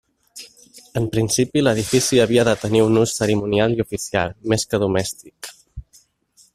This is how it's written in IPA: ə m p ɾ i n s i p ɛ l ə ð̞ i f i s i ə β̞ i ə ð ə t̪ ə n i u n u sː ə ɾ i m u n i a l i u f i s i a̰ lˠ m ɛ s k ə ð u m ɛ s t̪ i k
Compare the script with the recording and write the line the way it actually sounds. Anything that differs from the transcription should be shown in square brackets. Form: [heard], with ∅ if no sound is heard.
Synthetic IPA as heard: ə m p ɾ i n s i p [i] l ə ð̞ i f i s i ə β̞ i ə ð ə t̪ ə n i u n u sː ə ɾ i m u n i a l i u f i s i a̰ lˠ m [e] s k ə ð u m ɛ s t̪ i k